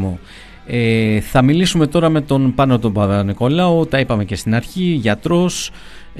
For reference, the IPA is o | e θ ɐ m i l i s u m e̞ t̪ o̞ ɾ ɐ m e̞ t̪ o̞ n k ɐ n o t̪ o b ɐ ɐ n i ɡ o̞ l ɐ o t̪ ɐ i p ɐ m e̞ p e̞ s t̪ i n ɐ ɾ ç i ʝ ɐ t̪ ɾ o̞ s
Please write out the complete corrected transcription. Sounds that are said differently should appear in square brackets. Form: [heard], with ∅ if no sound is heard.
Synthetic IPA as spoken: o | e θ ɐ m i l i s u m e̞ t̪ o̞ ɾ ɐ m e̞ t̪ o̞ n [p] ɐ n o t̪ o b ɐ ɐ n i [k] o̞ l ɐ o t̪ ɐ i p ɐ m e̞ [c] e̞ s t̪ i n ɐ ɾ ç i ʝ ɐ t̪ ɾ o̞ s